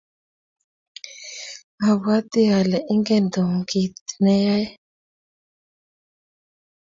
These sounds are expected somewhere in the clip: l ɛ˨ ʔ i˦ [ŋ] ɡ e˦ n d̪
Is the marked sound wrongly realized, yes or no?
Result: no